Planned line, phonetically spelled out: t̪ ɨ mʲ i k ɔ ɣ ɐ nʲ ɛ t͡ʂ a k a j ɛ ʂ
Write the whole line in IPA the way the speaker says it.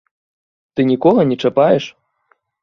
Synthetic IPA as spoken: t̪ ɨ nʲ i k ɔ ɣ ɐ nʲ ɛ t͡ʂ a p a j ɛ ʂ